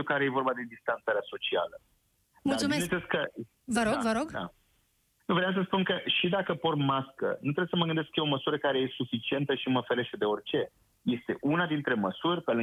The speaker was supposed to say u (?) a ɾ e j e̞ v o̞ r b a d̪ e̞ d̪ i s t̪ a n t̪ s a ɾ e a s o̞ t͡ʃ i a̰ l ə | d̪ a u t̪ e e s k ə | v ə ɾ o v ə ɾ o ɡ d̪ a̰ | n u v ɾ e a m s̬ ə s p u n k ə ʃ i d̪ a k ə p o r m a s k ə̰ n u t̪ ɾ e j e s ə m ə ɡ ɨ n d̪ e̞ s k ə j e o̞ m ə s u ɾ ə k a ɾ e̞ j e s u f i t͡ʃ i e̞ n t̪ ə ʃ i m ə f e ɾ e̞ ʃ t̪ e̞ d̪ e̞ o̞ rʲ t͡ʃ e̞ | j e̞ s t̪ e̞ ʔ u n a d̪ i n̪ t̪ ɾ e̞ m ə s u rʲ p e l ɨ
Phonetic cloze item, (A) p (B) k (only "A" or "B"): B